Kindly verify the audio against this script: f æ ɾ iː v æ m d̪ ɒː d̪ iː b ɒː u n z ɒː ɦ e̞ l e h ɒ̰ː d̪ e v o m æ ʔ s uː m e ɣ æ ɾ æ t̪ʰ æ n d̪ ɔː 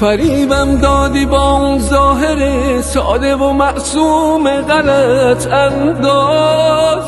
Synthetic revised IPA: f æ ɾ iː b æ m d̪ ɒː d̪ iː b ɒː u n z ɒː ɦ e̞ ɾ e s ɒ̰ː d̪ e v o m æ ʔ s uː m e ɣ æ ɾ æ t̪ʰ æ n d̪ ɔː